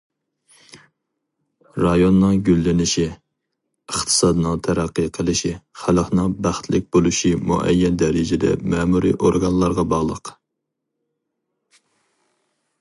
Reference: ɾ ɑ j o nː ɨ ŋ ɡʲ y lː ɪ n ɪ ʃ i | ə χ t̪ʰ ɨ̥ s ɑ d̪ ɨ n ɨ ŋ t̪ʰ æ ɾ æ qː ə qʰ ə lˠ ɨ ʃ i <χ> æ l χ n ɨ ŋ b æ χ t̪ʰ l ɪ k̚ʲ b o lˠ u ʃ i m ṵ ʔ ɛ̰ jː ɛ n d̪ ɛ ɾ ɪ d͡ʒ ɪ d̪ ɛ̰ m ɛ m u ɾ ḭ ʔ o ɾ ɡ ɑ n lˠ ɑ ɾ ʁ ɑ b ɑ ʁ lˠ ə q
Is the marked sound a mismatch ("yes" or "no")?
no